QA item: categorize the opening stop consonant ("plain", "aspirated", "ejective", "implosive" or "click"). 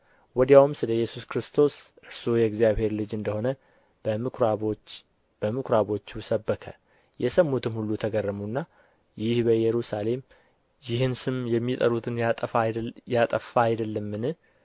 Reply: plain